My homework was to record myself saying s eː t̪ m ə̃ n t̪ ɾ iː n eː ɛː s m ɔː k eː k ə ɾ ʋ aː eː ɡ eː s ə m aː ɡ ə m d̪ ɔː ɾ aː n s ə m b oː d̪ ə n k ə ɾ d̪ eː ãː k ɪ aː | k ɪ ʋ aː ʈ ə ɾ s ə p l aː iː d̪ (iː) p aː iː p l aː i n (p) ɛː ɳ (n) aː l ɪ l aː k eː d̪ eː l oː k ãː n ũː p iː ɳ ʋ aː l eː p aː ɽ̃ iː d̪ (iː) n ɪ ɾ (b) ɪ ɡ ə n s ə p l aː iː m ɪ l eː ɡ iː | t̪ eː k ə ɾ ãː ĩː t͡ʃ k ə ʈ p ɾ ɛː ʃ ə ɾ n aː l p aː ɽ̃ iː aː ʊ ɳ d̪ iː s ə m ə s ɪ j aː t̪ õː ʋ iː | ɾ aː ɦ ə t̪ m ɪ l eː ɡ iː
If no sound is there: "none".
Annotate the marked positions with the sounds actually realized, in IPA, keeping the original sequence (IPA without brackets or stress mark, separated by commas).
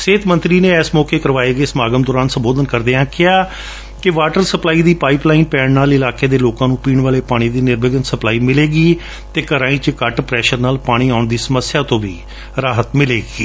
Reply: iː, p, n, iː, b